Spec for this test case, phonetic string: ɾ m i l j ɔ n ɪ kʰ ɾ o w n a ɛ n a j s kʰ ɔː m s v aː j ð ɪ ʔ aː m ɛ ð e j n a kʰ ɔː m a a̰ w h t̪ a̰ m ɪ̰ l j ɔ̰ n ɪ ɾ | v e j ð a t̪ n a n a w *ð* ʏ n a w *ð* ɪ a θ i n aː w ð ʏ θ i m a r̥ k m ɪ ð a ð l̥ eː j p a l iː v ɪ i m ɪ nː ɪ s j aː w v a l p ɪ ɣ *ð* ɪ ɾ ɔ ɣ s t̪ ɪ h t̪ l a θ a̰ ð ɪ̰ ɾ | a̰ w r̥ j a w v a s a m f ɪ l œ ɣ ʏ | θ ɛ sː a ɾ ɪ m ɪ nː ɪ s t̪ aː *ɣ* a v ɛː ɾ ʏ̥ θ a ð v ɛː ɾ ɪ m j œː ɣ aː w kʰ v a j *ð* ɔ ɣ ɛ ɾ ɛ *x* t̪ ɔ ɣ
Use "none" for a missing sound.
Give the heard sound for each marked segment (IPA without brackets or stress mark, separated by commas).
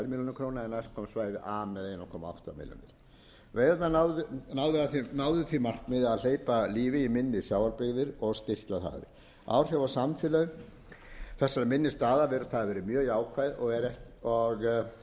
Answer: ð, ð, ð, ð, ð, h